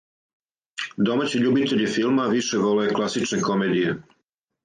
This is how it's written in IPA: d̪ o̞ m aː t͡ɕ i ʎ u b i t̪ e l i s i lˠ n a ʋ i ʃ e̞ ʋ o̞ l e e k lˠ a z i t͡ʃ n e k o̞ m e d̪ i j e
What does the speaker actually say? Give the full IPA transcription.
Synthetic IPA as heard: d̪ o̞ m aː t͡ɕ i ʎ u b i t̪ e ʎ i f i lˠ m a ʋ i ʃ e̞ ʋ o̞ l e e k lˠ a s i t͡ʃ n e k o̞ m e d̪ i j e